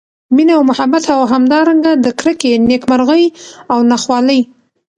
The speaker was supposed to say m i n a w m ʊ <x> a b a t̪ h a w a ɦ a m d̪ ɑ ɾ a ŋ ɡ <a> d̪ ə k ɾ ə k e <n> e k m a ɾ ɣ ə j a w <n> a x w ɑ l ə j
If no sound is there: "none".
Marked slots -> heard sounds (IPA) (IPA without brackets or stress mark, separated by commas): h, a, n, n